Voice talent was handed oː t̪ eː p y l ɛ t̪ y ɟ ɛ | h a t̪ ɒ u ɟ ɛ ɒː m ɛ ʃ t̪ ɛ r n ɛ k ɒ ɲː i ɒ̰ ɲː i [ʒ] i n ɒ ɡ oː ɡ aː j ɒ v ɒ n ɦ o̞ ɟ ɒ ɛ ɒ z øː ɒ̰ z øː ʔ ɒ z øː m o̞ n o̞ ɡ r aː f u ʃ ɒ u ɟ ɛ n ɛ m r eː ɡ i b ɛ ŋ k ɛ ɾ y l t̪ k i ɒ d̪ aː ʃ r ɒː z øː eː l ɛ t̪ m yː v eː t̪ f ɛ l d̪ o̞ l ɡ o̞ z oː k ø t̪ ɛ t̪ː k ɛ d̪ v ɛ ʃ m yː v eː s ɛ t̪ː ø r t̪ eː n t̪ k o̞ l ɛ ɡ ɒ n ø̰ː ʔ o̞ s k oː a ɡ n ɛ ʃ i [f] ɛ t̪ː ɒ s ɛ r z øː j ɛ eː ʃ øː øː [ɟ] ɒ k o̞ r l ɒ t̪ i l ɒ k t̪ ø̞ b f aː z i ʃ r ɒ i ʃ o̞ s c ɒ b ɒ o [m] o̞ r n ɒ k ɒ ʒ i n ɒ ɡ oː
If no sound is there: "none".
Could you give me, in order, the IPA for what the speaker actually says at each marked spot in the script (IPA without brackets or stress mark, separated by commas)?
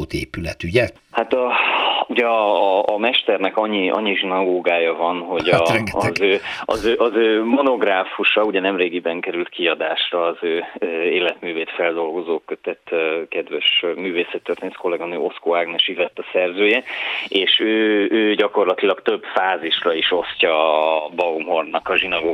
ʒ, v, ɟ, m